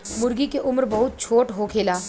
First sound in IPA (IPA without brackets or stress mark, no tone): m